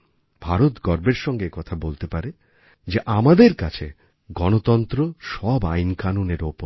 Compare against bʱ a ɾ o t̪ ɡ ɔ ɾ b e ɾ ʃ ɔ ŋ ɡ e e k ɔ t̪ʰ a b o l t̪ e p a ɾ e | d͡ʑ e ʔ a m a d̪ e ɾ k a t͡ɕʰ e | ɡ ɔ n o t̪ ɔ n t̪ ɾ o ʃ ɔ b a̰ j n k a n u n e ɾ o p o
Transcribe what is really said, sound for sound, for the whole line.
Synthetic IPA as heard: bʱ a ɾ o t̪ ɡ ɔ ɾ b e ɾ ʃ ɔ ŋ ɡ e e k ɔ t̪ʰ a b o l t̪ e p a ɾ e | d͡ʑ e ʔ a m a d̪ e ɾ k a t͡ɕʰ e | ɡ ɔ n o t̪ ɔ n t̪ ɾ o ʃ ɔ b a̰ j n k a n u n e ɾ o p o

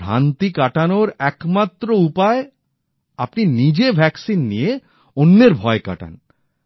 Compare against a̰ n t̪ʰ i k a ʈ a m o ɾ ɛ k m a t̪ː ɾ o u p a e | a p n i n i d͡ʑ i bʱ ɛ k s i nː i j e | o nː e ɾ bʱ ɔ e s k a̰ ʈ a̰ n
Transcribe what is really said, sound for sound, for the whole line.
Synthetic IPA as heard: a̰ n t̪ i k a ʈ a n o ɾ ɛ k m a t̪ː ɾ o u p a e | a p n i n i d͡ʑ e bʱ ɛ k s i nː i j e | o nː e ɾ bʱ ɔ e k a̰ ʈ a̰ n

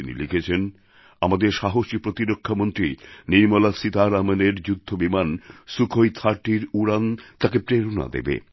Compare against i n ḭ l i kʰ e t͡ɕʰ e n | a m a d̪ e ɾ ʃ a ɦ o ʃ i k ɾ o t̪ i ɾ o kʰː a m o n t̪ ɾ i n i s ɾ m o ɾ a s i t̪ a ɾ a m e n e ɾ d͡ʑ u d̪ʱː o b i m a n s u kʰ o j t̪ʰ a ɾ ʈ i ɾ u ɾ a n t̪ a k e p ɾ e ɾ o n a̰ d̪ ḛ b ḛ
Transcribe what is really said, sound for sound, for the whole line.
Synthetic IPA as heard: i n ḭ l i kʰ e t͡ɕʰ e n | a m a d̪ e ɾ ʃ a ɦ o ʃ i p ɾ o t̪ i ɾ o kʰː a m o n t̪ ɾ i n i ɾ m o l a s i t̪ a ɾ a m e n e ɾ d͡ʑ u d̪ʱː o b i m a n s u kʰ o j t̪ʰ a ɾ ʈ i ɾ u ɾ a n t̪ a k e p ɾ e ɾ o n a̰ d̪ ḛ b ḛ

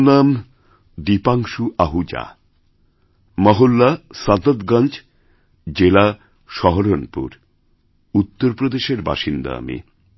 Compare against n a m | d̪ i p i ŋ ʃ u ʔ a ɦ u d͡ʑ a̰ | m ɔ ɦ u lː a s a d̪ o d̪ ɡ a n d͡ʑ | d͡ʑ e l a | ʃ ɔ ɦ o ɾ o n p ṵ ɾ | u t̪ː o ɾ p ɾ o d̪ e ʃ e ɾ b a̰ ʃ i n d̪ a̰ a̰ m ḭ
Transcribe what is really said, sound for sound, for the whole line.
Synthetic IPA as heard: n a m | d̪ i p a ŋ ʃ u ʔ a ɦ u d͡ʑ a̰ | m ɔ ɦ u lː a s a d̪ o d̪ ɡ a n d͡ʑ | d͡ʑ e l a | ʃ ɔ ɦ o ɾ o n p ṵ ɾ | u t̪ː o ɾ p ɾ o d̪ e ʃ e ɾ b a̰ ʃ i n d̪ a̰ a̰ m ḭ

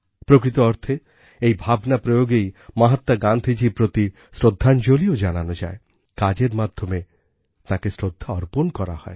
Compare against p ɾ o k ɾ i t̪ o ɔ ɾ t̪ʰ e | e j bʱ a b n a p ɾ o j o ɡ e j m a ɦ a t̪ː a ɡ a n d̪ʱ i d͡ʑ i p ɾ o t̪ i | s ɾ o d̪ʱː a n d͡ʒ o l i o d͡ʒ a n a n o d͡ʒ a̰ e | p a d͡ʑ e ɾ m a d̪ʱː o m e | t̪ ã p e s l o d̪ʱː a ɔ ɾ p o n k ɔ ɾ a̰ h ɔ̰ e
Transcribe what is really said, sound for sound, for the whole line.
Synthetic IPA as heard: p ɾ o k ɾ i t̪ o ɔ ɾ t̪ʰ e | e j bʱ a b n a p ɾ o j o ɡ e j m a ɦ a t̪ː a ɡ a n d̪ʱ i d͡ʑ i p ɾ o t̪ i | s ɾ o d̪ʱː a n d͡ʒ o l i o d͡ʒ a n a n o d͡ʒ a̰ e | k a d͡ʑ e ɾ m a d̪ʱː o m e | t̪ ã k e s ɾ o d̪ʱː a ɔ ɾ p o n k ɔ ɾ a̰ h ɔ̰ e

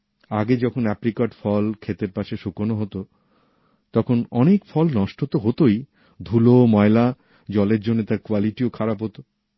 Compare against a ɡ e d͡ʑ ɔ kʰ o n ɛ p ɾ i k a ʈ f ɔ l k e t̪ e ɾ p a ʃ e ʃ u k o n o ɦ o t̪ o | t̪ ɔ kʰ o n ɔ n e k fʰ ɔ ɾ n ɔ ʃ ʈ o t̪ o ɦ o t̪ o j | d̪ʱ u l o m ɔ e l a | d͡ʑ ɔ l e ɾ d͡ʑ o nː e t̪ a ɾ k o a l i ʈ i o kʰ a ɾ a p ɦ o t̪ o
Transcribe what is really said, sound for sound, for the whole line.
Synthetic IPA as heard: a ɡ e d͡ʑ ɔ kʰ o n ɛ p ɾ i k a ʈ f ɔ l kʰ e t̪ e ɾ p a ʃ e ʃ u k o n o ɦ o t̪ o | t̪ ɔ kʰ o n ɔ n e k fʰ ɔ l n ɔ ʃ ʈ o t̪ o ɦ o t̪ o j | d̪ʱ u l o m ɔ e l a | d͡ʑ ɔ l e ɾ d͡ʑ o nː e t̪ a ɾ k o a l i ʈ i o kʰ a ɾ a p ɦ o t̪ o

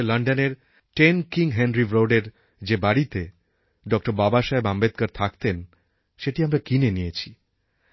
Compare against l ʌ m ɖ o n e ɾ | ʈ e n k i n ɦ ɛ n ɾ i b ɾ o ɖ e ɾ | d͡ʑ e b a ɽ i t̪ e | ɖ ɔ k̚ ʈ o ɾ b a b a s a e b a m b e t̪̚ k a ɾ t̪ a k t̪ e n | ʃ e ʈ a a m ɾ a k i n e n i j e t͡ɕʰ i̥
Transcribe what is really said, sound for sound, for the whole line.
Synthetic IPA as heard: l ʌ ɳ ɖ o n e ɾ | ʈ e n k i ŋ ɦ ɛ n ɾ i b ɾ o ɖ e ɾ | d͡ʑ e b a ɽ i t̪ e | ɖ ɔ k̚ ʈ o ɾ b a b a ʃ a e b a m b e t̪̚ k a ɾ t̪ʰ a k t̪ e n | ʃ e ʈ i a m ɾ a k i n e n i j e t͡ɕʰ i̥

